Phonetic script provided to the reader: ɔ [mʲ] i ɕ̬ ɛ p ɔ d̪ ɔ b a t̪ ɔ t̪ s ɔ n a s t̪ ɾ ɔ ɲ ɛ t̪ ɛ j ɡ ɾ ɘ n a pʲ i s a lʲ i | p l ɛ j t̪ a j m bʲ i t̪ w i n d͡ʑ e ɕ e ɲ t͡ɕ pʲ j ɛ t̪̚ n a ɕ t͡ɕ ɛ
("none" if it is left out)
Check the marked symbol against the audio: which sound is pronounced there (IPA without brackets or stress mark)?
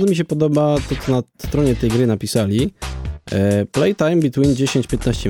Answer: mʲ